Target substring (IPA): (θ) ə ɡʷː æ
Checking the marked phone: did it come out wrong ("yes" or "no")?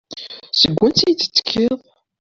yes